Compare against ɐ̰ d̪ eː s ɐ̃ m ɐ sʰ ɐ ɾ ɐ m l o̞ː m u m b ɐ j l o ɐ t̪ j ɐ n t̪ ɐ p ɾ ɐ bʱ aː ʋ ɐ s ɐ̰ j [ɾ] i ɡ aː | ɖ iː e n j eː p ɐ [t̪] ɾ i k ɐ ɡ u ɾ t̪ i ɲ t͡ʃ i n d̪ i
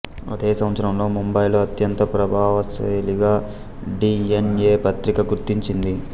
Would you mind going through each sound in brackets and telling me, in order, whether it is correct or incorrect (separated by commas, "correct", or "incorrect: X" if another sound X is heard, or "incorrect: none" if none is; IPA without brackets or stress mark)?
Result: incorrect: l, correct